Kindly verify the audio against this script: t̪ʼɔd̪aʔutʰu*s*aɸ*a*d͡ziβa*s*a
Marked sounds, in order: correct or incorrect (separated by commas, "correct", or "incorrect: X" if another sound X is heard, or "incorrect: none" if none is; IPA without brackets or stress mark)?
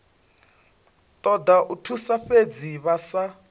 correct, incorrect: e, correct